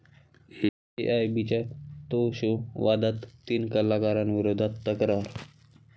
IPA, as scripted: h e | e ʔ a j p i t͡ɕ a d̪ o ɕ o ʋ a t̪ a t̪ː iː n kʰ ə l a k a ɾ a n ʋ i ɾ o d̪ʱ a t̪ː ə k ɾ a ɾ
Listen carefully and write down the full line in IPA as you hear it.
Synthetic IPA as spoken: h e | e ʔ a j b i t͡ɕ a t̪ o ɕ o ʋ a d̪ a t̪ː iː n k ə l a k a ɾ a n ʋ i ɾ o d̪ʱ a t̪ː ə k ɾ a ɾ